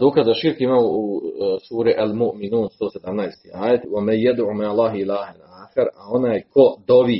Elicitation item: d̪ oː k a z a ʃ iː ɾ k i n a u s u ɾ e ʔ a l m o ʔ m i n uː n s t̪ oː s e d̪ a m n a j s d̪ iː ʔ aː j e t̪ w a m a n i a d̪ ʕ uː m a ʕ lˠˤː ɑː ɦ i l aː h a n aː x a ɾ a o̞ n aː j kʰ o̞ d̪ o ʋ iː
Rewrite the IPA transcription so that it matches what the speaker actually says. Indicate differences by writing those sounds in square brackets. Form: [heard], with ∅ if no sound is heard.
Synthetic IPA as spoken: d̪ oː k a z a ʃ [i] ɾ k i [m] a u s [uː] ɾ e ʔ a l m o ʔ m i n uː n s t̪ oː s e d̪ a m n a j s [t̪] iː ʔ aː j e t̪ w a m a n [j] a d̪ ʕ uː m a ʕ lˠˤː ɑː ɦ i l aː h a n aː x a ɾ a o̞ n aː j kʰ o̞ d̪ o ʋ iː